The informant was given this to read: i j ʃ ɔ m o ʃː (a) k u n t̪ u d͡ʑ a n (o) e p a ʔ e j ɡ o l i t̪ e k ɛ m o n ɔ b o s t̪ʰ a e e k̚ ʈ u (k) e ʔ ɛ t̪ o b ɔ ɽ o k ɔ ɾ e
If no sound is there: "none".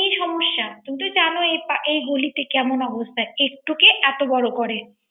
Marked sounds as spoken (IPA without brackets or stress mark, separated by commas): a, o, k